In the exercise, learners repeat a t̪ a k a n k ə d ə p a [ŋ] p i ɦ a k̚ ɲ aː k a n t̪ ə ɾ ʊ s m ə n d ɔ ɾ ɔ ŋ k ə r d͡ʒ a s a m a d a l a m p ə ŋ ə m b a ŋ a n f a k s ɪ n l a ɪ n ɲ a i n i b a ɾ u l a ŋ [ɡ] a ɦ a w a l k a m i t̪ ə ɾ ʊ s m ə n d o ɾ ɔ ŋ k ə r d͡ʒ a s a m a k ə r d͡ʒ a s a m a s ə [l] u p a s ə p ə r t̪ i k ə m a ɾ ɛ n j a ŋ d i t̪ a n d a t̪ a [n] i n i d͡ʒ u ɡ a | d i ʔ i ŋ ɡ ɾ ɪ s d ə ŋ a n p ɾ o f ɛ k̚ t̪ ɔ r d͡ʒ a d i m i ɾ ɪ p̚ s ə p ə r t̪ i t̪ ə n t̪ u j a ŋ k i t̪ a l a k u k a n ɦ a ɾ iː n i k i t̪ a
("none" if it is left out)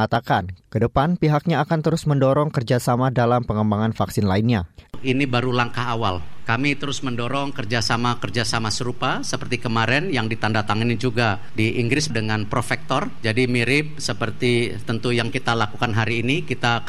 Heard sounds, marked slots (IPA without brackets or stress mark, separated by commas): n, k, ɾ, ŋ